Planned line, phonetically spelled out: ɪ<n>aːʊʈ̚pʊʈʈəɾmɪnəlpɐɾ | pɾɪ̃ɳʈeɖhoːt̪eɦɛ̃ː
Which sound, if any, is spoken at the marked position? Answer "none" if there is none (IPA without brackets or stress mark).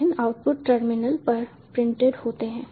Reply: n